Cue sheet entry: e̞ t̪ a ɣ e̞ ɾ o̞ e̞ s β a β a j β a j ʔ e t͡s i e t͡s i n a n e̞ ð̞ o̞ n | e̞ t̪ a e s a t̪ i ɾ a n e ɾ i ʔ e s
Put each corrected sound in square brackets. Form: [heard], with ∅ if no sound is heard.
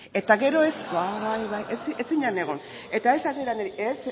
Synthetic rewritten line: e̞ t̪ a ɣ e̞ ɾ o̞ e̞ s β a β a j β a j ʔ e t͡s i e t͡s i [ɲ] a n e̞ [ɣ̞] o̞ n | e̞ t̪ a e s a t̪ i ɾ a n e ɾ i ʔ e s